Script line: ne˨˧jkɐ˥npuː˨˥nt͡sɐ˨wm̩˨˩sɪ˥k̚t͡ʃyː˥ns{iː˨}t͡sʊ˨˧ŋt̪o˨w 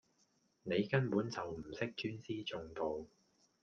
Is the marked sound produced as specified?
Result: no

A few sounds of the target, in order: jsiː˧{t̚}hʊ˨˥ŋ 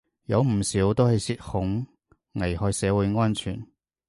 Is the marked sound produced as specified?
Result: yes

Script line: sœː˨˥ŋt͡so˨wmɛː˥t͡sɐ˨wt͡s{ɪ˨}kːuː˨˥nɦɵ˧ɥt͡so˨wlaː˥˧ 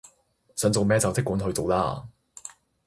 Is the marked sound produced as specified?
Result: no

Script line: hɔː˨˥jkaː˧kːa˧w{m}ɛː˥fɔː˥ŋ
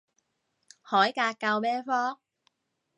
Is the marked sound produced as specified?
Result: yes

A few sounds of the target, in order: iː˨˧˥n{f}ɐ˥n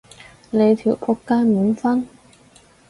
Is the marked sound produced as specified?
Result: yes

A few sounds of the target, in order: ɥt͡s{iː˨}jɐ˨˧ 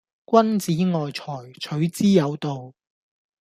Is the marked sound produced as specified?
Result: no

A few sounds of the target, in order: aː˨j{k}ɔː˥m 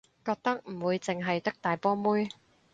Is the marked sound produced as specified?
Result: no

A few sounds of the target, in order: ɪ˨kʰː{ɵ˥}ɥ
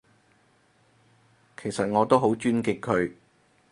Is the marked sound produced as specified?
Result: no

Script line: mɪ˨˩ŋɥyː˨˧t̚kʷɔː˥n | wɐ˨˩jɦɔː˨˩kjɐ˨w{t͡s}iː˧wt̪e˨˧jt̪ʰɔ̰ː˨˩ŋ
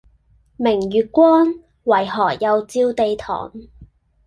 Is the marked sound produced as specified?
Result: yes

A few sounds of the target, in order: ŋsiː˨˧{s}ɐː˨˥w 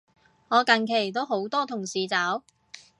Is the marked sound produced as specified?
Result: no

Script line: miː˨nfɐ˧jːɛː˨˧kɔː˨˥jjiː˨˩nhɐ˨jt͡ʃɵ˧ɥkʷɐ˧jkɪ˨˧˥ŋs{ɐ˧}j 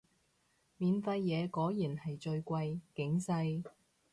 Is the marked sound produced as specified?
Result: yes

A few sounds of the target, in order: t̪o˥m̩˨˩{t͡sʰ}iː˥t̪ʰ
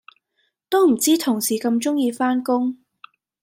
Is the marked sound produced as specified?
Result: no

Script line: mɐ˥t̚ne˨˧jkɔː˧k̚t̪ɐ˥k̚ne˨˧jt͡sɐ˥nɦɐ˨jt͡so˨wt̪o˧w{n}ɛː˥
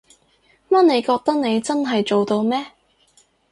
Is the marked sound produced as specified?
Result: no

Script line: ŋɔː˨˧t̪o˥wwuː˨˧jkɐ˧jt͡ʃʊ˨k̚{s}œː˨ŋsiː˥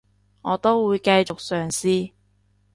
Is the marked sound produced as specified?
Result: yes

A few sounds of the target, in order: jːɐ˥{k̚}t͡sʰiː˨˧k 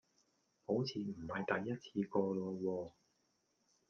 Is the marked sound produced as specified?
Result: no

